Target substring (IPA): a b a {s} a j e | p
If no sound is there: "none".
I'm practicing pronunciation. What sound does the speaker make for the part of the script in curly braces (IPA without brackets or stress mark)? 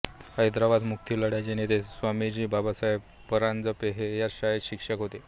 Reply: s